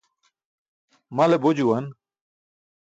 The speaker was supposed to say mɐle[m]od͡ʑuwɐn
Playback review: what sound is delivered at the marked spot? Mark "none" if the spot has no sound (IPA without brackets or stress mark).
b